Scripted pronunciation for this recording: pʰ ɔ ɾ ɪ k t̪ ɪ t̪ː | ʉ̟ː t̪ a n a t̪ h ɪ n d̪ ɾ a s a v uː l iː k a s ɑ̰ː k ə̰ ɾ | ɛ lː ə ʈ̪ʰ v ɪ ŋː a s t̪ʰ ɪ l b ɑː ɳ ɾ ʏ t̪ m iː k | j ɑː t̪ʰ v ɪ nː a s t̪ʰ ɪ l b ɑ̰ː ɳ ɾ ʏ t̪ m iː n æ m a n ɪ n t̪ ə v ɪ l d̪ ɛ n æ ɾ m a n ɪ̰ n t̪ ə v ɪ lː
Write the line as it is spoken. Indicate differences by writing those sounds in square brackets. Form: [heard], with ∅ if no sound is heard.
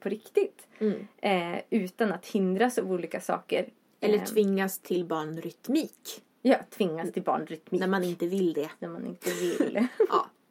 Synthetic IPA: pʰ ɔ ɾ ɪ k t̪ ɪ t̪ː | ʉ̟ː t̪ a n a t̪ h ɪ n d̪ ɾ a s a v uː l iː k a s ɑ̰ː k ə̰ ɾ | ɛ lː ə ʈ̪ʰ v ɪ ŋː a s t̪ʰ ɪ l b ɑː ɳ ɾ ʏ t̪ m iː k | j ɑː t̪ʰ v ɪ [ŋː] a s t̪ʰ ɪ l b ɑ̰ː ɳ ɾ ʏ t̪ m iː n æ m a n ɪ n t̪ ə v ɪ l d̪ ɛ n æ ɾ m a n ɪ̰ n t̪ ə v ɪ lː